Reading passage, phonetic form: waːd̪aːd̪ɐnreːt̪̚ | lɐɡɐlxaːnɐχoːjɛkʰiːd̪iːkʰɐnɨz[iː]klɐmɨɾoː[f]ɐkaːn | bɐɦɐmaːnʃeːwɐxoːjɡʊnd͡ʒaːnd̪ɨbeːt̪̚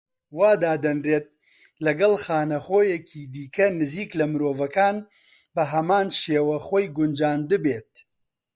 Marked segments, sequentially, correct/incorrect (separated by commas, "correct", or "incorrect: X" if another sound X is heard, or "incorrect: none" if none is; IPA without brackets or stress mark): correct, incorrect: v